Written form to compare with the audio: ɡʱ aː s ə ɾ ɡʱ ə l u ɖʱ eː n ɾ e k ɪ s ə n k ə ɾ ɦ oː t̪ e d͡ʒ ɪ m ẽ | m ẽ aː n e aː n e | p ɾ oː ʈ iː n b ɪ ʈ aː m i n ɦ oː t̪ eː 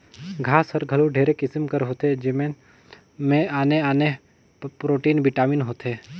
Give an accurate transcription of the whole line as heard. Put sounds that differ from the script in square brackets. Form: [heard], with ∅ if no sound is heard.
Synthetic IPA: ɡʱ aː s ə ɾ ɡʱ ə l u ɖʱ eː [∅] ɾ e k ɪ s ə [m] k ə ɾ ɦ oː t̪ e d͡ʒ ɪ m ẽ | m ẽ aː n e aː n e | p ɾ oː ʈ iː n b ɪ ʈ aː m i n ɦ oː t̪ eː